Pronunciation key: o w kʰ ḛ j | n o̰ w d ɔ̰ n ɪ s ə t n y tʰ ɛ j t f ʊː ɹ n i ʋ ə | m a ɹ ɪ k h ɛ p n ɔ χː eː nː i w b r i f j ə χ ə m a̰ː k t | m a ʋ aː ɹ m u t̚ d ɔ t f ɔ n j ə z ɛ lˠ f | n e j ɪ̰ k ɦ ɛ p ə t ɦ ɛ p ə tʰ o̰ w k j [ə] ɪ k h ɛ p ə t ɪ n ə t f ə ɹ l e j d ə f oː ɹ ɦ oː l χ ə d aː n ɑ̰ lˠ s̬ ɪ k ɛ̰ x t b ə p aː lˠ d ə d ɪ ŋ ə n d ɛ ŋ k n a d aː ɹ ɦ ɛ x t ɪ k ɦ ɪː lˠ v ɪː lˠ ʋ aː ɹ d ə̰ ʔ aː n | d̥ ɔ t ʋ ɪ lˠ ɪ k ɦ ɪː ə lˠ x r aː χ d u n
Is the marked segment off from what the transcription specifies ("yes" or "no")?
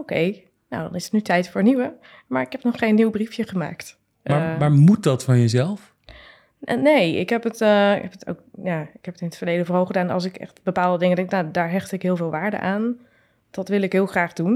yes